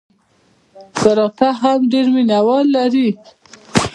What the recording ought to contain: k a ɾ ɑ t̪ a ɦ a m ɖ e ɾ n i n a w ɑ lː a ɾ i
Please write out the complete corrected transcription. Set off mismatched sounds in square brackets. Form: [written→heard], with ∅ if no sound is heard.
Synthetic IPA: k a ɾ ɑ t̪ a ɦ a m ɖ e ɾ [n→m] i n a w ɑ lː a ɾ i

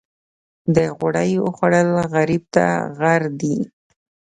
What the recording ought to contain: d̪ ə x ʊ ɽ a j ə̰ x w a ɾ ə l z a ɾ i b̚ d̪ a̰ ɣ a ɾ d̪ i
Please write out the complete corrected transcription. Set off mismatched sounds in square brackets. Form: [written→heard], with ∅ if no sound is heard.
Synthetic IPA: d̪ ə [x→ɣ] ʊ ɽ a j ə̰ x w a [ɾ→ɽ] ə l [z→ɣ] a ɾ i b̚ [d̪→t̪] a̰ ɣ a ɾ d̪ i

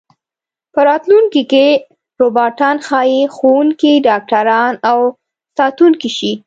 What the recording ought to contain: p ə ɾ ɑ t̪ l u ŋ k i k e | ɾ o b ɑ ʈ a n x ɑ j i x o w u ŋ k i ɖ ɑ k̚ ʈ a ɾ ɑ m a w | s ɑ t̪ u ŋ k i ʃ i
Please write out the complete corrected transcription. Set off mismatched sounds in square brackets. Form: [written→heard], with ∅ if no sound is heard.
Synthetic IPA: p ə ɾ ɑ t̪ l u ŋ k i k e | ɾ o b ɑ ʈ [a→ɑ] n x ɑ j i x o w u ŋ k i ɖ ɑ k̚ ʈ a ɾ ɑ [m→n] a w | s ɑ t̪ u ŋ k i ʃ i

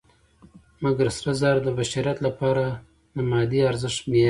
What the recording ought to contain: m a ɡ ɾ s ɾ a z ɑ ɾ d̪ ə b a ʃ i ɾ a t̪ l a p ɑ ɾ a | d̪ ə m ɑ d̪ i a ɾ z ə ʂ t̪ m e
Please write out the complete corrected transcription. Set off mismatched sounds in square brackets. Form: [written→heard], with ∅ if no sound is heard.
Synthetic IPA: m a ɡ ɾ s ɾ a z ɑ ɾ d̪ ə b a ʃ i ɾ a t̪ l a p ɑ ɾ a | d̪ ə m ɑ d̪ i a ɾ z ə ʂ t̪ m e

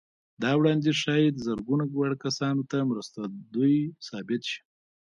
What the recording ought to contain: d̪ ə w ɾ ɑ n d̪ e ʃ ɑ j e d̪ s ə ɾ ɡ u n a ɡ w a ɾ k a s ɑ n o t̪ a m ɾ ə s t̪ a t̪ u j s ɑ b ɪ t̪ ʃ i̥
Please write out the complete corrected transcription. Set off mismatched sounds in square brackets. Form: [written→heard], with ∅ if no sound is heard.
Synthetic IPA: d̪ [ə→ɑ] w [ɾ→ɽ] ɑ n d̪ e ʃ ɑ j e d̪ [s→z] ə ɾ ɡ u n a ɡ w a [ɾ→ɽ] k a s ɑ n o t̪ a m ɾ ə s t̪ a [t̪→d̪] u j s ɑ b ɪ t̪ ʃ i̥

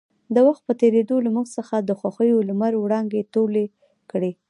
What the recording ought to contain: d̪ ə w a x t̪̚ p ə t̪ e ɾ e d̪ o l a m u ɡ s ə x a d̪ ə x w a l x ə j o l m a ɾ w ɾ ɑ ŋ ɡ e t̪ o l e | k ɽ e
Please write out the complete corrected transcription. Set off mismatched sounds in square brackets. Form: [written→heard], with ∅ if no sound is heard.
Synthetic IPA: d̪ ə w a x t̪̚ p ə t̪ e ɾ e d̪ o l a m u ɡ s ə x a d̪ ə x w a [l→∅] x ə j o l m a ɾ w [ɾ→ɽ] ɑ ŋ ɡ e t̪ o l e | k ɽ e

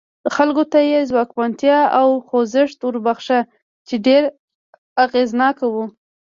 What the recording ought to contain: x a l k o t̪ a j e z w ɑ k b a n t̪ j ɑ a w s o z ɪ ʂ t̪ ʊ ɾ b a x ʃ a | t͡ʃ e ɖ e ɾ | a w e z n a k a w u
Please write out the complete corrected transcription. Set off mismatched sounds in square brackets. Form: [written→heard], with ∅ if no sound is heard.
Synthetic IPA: x a l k o t̪ a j e z w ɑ k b a n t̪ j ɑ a w [s→x] o z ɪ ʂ t̪ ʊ ɾ b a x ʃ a | t͡ʃ e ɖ e ɾ | a [w→ɣ] e z n [a→ɑ] k a w u

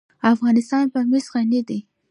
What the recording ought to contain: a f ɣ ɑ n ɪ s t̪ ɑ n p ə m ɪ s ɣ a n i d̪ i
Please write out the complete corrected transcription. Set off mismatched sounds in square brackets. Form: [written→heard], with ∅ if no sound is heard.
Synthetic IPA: a f ɣ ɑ n ɪ s t̪ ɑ n p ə m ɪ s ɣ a n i d̪ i

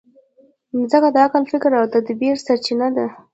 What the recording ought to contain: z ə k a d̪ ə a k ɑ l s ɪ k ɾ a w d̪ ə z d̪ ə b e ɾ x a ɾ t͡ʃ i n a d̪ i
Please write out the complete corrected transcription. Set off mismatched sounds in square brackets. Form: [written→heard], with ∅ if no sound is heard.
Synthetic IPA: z ə k a d̪ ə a k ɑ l [s→f] ɪ k ɾ a w d̪ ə [z→∅] d̪ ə b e ɾ [x→s] a ɾ t͡ʃ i n a d̪ [i→a]

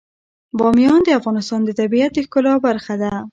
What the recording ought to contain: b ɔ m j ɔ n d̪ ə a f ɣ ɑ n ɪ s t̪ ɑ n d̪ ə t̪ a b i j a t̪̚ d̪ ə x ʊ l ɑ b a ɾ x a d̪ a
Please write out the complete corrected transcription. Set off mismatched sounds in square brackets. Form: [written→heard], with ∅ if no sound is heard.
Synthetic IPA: b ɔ m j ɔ n d̪ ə a f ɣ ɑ n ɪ s t̪ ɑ n d̪ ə t̪ a b i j a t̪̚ d̪ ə [x→k] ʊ l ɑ b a ɾ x a d̪ a

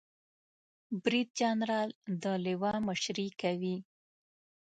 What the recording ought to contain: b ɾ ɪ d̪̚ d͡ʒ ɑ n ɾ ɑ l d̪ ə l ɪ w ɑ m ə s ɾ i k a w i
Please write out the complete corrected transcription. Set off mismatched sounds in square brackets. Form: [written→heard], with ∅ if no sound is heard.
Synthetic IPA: b ɾ [ɪ→i] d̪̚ d͡ʒ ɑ n ɾ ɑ l d̪ ə l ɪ w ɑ m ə [s→ʃ] ɾ i k a w i

